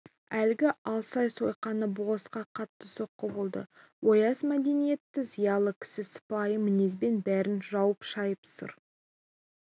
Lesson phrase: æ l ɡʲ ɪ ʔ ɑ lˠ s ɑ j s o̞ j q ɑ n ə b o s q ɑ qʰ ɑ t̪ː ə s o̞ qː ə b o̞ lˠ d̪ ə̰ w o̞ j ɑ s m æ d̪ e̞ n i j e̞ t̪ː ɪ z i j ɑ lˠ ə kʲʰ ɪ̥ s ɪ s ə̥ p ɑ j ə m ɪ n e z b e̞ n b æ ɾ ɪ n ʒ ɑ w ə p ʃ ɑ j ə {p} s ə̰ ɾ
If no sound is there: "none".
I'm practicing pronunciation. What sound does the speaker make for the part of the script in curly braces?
p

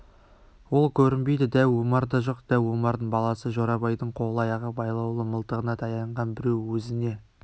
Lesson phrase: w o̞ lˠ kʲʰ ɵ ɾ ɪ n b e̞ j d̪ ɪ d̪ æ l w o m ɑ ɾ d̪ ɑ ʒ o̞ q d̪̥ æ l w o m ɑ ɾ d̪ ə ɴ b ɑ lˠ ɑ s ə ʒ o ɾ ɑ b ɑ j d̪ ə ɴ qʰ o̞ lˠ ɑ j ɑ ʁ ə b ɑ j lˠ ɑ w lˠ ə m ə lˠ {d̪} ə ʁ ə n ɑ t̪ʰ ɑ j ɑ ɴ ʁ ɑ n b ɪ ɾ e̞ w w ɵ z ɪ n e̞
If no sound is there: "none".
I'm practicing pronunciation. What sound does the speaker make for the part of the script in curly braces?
t̪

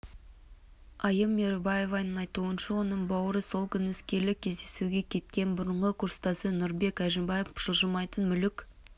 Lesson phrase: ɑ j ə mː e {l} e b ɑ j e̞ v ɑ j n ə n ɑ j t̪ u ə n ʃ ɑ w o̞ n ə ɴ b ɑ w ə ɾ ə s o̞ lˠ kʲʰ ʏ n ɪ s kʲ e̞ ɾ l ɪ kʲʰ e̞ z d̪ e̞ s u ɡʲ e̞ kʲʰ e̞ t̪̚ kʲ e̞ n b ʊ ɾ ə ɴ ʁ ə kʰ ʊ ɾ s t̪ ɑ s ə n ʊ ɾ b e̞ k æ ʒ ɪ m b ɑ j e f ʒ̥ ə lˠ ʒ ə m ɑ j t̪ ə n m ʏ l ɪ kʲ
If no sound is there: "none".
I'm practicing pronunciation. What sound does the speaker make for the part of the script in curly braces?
ɾ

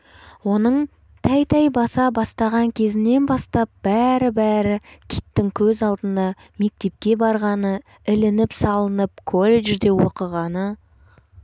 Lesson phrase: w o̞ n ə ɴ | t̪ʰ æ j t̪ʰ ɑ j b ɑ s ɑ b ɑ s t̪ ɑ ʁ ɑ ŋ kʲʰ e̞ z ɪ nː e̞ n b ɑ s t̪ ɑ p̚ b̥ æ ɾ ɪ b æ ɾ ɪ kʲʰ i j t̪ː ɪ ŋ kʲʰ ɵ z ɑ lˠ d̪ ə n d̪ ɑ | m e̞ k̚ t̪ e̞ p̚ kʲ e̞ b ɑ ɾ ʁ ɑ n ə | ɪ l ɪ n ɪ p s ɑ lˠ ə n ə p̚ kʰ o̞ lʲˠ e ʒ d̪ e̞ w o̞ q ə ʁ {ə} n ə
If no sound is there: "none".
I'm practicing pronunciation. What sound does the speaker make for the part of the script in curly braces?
ɑ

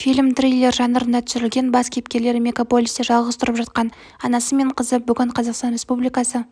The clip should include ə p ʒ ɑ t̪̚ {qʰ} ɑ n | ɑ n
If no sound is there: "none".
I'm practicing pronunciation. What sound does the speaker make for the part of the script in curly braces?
q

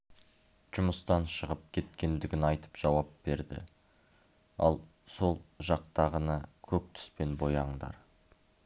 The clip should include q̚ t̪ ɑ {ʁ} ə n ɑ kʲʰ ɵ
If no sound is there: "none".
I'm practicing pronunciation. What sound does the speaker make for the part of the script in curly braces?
ʁ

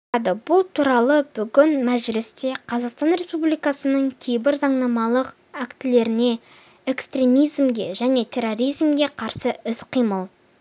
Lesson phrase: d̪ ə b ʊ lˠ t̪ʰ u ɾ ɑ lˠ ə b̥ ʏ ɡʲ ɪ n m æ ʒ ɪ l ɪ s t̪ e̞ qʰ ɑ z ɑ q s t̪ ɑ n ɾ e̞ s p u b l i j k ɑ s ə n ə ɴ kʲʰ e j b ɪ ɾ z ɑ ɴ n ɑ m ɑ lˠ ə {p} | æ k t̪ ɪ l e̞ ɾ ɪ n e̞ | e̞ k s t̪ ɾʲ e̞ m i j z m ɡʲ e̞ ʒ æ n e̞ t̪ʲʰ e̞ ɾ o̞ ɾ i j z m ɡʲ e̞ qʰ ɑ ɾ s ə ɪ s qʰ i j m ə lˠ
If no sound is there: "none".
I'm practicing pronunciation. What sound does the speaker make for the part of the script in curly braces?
q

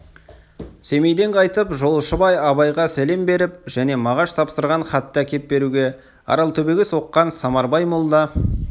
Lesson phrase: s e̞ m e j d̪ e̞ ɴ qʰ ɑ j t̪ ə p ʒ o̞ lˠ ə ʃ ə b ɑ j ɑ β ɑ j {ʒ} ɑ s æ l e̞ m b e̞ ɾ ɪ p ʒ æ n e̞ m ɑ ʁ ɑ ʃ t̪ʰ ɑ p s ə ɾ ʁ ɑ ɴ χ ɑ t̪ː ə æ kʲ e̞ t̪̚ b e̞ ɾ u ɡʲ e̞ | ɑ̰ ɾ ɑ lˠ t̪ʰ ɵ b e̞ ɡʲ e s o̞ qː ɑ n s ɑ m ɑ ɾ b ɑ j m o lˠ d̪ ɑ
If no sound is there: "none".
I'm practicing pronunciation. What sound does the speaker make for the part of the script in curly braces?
ʁ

